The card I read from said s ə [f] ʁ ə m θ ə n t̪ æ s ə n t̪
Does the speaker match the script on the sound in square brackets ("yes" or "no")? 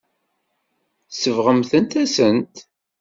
no